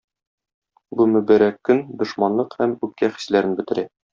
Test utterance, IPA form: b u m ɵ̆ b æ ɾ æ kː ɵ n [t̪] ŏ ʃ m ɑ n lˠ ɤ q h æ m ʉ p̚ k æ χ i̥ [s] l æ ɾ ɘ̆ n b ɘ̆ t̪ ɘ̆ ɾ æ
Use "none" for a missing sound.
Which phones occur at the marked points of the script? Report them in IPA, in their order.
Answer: d̪, s

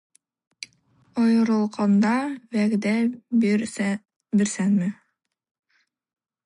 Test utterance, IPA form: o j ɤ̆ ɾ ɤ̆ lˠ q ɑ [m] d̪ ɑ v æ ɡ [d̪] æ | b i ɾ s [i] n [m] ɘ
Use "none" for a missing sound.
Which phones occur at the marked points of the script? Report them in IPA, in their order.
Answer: n, d̪, æ, m

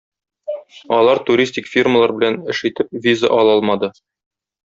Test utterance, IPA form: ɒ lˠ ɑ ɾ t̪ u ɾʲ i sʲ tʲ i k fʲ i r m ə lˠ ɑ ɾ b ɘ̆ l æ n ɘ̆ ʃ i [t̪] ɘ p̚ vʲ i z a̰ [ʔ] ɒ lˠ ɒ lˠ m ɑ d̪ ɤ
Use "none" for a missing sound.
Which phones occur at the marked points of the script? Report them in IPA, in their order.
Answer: t̪, ʔ

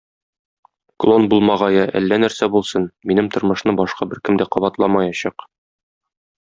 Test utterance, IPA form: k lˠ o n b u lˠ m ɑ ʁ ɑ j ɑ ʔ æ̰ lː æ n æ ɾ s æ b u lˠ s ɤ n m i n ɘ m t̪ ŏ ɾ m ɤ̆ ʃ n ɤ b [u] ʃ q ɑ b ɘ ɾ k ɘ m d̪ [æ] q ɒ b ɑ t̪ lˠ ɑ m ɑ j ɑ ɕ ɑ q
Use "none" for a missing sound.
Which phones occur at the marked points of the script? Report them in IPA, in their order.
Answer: ɒ, æ

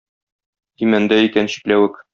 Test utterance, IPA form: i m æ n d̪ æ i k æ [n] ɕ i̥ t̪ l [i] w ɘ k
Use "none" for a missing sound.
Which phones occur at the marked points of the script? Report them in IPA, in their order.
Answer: n, æ

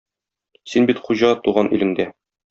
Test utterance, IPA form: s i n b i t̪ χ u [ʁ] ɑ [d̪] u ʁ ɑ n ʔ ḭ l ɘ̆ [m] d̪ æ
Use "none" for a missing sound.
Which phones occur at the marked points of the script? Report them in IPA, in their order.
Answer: ʑ, t̪, ŋ

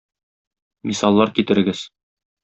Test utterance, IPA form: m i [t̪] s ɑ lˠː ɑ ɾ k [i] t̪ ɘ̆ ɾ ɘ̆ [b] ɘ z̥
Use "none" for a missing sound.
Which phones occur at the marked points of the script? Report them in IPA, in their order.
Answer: none, i, ɡ

